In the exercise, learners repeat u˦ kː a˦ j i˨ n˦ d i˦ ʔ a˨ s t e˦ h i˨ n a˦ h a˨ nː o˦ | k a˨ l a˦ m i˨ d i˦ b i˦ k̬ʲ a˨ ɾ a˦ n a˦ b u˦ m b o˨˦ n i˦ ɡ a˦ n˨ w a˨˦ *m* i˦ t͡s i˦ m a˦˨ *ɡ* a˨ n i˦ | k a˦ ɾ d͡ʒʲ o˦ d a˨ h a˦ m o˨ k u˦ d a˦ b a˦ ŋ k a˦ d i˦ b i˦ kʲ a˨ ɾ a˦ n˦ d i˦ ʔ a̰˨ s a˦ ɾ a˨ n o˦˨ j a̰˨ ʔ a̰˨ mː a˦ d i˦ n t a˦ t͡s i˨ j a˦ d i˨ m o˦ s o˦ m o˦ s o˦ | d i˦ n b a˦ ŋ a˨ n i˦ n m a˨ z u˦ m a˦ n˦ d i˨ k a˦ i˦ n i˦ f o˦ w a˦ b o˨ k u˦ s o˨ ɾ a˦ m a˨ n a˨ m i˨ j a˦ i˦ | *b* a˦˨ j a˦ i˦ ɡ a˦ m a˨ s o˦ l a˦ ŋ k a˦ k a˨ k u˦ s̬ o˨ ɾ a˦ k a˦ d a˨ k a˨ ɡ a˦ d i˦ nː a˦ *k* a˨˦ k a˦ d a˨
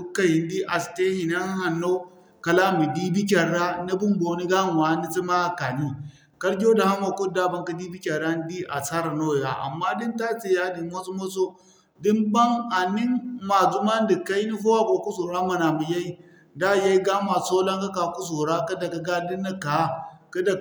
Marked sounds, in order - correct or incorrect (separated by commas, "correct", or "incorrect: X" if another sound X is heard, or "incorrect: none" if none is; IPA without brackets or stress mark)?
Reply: incorrect: n, incorrect: k, incorrect: d, correct